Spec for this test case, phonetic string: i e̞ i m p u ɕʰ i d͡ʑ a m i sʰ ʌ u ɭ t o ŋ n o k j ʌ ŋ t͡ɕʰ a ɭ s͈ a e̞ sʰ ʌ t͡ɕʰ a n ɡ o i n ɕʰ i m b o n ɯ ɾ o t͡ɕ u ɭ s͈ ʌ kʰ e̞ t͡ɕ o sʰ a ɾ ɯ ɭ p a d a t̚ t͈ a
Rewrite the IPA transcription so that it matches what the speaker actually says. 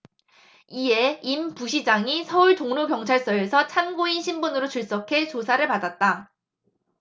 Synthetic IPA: i e̞ i m p u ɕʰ i d͡ʑ a ŋ i sʰ ʌ u ɭ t o ŋ n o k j ʌ ŋ t͡ɕʰ a ɭ s͈ ʌ e̞ sʰ ʌ t͡ɕʰ a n ɡ o i n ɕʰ i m b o n ɯ ɾ o t͡ɕ u ɭ s͈ ʌ kʰ e̞ t͡ɕ o sʰ a ɾ ɯ ɭ p a d a t̚ t͈ a